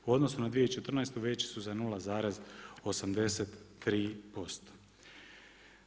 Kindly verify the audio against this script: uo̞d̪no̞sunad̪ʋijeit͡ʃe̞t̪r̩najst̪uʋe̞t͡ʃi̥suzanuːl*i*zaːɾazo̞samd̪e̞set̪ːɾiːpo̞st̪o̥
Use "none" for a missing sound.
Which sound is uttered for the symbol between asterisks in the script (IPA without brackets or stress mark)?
a